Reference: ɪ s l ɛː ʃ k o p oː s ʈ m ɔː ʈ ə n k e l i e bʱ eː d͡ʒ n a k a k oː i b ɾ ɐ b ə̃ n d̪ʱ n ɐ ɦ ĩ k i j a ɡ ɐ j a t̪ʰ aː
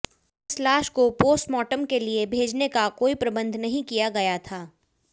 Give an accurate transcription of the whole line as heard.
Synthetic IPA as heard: ɪ s l aː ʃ k o p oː s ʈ m ɔː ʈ ə m k e l i e bʱ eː d͡ʒ n e k a k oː i p ɾ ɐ b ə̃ n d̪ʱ n ɐ ɦ ĩ k i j a ɡ ɐ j a t̪ʰ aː